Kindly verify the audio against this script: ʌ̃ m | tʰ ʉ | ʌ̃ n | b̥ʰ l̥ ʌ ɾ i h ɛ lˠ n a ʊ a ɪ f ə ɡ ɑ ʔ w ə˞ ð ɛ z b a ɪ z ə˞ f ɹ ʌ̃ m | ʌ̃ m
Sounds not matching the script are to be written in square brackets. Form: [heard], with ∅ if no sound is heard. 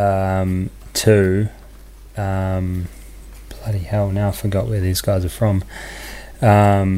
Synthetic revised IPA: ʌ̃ m | tʰ ʉ | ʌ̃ [m] | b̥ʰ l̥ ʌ ɾ i h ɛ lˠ n a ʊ a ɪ f ə ɡ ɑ ʔ w ə˞ ð [i] z [ɡ] a ɪ z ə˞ f ɹ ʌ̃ m | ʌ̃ m